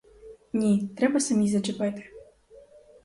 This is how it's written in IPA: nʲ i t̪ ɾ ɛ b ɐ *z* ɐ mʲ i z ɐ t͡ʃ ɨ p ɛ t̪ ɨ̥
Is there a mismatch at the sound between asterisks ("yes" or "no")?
yes